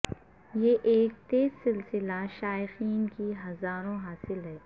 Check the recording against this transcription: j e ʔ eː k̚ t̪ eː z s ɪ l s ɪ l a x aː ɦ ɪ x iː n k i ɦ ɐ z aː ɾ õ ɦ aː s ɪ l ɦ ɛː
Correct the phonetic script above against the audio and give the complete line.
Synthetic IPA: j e ʔ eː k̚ t̪ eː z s ɪ l s ɪ l a ʃ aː ɪ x iː n k i ɦ ɐ z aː ɾ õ ɦ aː s ɪ l ɦ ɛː

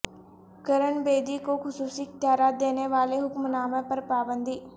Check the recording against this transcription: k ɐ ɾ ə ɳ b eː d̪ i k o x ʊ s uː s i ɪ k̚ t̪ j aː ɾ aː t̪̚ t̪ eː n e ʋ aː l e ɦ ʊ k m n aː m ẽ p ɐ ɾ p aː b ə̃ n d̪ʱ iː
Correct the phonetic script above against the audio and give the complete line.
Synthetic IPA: k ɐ ɾ ə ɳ b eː d̪ i k o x ʊ s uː s i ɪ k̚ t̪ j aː ɾ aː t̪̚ d̪ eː n e ʋ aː l e ɦ ʊ k m n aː m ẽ p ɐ ɾ p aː b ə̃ n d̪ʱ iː

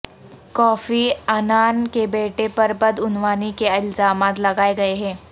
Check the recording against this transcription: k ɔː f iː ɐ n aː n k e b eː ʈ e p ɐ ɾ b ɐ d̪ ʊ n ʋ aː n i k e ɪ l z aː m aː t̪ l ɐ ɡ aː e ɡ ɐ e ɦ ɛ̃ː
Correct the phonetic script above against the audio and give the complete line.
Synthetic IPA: k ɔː f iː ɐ n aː n k e b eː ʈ e p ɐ ɾ b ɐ d̪ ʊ n ʋ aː n i k e ɪ l z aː m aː t̪ l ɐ ɡ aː e ɡ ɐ e ɦ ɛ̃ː

